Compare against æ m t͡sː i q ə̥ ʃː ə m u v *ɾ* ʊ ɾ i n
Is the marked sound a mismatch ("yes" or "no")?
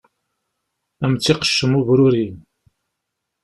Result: no